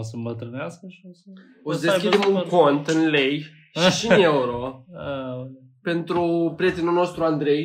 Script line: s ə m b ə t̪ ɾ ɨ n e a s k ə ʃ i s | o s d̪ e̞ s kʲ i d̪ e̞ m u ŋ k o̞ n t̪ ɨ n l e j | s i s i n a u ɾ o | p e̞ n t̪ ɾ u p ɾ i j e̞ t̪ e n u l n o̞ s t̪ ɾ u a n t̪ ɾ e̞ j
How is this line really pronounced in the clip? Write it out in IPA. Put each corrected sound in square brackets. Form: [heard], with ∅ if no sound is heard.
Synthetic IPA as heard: s ə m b ə t̪ ɾ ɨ n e a s k ə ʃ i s | o s d̪ e̞ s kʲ i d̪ e̞ m u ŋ k o̞ n t̪ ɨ n l e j | [ʃ] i [ʃ] i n [e] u ɾ o | p e̞ n t̪ ɾ u p ɾ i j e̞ t̪ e n u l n o̞ s t̪ ɾ u a n [d̪] ɾ e̞ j